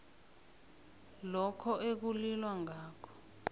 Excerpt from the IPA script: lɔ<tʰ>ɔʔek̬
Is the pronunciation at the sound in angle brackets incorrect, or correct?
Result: incorrect